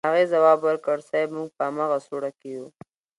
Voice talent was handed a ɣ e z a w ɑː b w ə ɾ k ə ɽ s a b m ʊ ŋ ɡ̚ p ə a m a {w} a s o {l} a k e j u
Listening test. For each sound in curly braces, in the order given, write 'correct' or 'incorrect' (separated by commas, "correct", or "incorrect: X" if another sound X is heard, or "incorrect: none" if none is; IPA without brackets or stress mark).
incorrect: ɣ, incorrect: ɽ